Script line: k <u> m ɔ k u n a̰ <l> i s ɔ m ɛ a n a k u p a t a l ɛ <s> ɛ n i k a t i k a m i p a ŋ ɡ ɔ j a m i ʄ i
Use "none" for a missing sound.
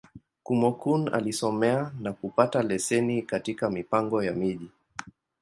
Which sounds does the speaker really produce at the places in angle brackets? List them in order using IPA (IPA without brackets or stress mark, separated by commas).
u, l, s